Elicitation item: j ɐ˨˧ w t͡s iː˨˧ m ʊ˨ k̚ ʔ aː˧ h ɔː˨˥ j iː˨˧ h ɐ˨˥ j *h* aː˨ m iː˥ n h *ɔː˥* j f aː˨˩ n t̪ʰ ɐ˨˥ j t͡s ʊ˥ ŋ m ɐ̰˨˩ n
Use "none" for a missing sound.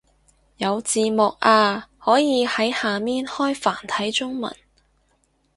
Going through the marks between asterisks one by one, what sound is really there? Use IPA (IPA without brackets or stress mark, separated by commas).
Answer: h, ɔː˥